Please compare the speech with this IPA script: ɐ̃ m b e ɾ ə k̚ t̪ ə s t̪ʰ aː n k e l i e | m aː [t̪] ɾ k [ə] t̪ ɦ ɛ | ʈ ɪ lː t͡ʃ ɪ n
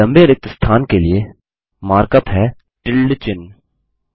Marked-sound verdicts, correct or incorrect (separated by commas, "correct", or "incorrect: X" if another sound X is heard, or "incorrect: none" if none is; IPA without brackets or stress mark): incorrect: none, correct